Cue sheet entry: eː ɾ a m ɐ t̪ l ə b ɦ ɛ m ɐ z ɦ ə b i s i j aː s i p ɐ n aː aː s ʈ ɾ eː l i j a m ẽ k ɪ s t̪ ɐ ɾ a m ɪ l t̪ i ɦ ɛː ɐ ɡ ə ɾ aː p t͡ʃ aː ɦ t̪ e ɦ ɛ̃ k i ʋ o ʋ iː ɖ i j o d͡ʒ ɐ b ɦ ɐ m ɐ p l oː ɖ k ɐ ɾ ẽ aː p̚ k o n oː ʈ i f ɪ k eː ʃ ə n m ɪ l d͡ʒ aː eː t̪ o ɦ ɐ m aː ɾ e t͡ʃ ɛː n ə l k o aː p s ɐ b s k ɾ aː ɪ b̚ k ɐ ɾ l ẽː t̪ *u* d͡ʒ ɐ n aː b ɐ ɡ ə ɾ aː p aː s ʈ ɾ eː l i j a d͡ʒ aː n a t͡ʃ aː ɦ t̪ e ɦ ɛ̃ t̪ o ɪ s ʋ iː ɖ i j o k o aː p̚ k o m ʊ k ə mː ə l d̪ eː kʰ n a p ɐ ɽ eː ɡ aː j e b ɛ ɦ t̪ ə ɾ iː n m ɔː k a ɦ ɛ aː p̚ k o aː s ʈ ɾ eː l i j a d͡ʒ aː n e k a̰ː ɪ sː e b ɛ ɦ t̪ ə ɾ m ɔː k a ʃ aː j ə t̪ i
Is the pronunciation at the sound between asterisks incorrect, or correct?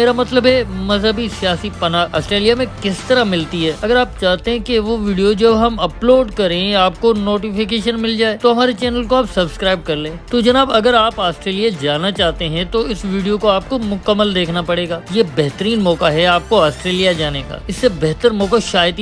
incorrect